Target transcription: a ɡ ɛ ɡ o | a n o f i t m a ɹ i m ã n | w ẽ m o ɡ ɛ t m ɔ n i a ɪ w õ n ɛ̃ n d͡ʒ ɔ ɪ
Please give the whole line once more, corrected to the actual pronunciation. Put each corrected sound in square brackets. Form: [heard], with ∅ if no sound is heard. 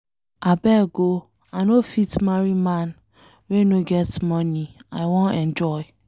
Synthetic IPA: a [b] ɛ ɡ o | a n o f i t m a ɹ i m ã n | w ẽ [n] o ɡ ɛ t m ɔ n i a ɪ w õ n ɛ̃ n d͡ʒ ɔ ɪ